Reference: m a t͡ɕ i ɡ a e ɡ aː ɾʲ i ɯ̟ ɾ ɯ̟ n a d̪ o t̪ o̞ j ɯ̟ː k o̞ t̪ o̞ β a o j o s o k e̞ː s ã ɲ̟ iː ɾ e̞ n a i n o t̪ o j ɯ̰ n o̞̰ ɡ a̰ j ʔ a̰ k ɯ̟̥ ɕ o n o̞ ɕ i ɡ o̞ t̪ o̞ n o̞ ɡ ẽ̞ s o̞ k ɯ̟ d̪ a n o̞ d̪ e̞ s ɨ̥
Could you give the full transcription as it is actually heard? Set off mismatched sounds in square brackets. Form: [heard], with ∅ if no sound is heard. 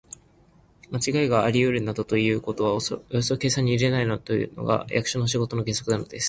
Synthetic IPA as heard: m a t͡ɕ i ɡ a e ɡ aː ɾʲ i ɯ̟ ɾ ɯ̟ n a d̪ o t̪ o̞ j ɯ̟ː k o̞ t̪ o̞ β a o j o s o k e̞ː s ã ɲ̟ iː ɾ e̞ n a i n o t̪ o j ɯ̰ n o̞̰ ɡ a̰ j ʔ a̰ k ɯ̟̥ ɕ o n o̞ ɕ i ɡ o̞ t̪ o̞ n o̞ ɡ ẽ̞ s o̞ k ɯ̟ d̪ a n o̞ d̪ e̞ s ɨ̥